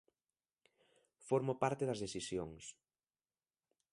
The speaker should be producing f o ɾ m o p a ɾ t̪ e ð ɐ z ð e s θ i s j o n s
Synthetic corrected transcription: f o ɾ m o p a ɾ t̪ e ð ɐ z ð e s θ i s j o ŋ s